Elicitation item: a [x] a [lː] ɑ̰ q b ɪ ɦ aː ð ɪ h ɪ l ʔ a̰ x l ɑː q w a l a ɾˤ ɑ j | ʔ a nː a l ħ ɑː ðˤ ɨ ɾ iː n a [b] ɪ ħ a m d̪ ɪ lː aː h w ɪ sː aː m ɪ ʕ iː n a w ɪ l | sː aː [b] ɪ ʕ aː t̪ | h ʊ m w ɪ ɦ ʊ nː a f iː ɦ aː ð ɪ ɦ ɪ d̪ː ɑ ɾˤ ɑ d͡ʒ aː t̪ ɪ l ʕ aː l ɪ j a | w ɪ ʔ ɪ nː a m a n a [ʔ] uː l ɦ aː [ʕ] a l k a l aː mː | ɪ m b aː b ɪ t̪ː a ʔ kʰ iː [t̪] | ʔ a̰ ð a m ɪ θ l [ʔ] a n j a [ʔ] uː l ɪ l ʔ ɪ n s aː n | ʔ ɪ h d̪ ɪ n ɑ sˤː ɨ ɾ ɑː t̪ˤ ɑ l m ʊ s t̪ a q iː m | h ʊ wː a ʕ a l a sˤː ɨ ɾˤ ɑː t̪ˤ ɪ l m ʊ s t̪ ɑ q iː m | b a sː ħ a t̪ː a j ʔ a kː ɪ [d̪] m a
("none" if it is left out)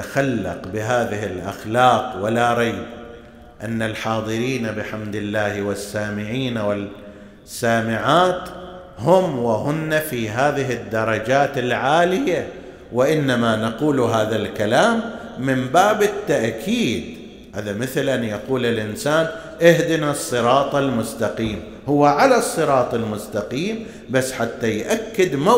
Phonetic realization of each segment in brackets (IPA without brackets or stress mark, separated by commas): x, lː, b, m, q, ð, d̪, ʔ, q, d̪